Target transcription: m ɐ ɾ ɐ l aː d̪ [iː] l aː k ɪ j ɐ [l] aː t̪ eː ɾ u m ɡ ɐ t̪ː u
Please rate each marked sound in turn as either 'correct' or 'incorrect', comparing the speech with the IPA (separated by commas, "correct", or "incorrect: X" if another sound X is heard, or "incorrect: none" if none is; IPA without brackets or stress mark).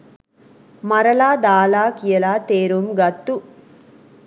incorrect: aː, correct